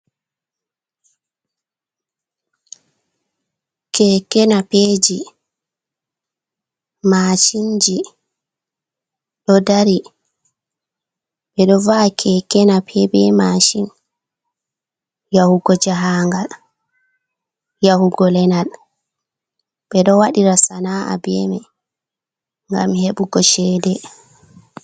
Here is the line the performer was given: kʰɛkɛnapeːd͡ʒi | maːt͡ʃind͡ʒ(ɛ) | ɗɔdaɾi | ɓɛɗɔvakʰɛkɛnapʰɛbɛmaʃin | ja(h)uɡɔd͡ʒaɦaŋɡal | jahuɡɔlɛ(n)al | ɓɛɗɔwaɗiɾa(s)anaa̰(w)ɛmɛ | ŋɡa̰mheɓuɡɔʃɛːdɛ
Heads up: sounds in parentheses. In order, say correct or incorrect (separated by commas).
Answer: incorrect, correct, correct, correct, incorrect